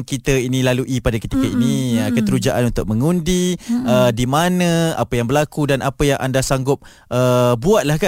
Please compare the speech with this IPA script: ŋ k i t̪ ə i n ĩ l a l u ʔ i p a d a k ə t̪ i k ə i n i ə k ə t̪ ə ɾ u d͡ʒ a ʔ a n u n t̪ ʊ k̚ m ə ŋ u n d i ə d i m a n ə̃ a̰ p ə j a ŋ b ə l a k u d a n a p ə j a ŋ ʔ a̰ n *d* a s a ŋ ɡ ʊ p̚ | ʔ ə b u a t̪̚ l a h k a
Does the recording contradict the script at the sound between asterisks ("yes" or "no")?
no